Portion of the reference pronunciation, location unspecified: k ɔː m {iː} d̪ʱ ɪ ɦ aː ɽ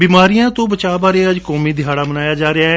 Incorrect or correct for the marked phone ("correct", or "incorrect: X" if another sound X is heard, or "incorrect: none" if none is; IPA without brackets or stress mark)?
correct